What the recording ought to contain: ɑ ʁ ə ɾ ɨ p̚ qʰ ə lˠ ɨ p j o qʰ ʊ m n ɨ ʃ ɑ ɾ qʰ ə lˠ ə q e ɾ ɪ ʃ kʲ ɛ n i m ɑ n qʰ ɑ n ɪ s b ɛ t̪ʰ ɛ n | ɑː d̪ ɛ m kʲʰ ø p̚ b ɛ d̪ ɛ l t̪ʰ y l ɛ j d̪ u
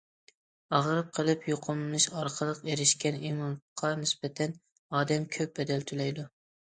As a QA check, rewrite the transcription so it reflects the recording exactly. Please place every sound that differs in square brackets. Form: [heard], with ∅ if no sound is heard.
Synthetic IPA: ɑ ʁ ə ɾ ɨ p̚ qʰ ə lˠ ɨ p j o qʰ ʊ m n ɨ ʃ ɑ ɾ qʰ ə lˠ ə q e ɾ ɪ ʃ kʲ ɛ n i m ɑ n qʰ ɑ n ɪ s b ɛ t̪ʰ ɛ n | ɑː d̪ ɛ m kʲʰ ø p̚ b ɛ d̪ ɛ l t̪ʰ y l ɛ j d̪ u